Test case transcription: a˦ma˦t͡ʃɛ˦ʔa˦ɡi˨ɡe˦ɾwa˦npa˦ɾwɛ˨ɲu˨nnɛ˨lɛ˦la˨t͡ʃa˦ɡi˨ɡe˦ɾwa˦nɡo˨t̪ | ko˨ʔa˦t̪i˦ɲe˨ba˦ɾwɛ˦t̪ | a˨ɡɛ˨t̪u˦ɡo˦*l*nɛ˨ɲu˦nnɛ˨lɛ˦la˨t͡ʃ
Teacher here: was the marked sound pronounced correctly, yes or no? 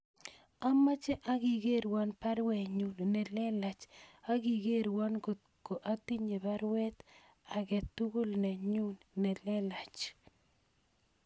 yes